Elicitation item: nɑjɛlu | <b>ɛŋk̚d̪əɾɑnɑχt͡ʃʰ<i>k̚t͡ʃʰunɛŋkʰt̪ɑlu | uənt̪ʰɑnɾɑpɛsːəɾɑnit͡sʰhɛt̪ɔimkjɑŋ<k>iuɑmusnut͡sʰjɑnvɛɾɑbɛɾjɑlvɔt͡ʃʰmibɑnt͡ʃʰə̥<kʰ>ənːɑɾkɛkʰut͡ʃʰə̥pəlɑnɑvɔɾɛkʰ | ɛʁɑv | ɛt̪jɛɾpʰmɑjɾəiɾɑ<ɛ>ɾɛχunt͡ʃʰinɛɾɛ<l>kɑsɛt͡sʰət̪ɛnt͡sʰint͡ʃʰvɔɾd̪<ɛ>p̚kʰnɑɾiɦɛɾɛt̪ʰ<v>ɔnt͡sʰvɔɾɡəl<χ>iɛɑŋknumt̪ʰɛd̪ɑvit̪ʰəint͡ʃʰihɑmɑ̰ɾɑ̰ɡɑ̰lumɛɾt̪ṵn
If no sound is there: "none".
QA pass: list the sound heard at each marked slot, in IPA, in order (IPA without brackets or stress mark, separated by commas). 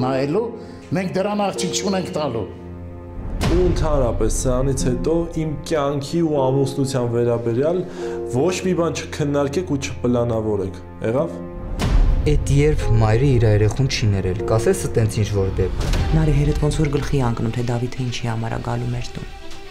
m, i, kʰ, kʰ, ɛ, l, ɛ, v, χ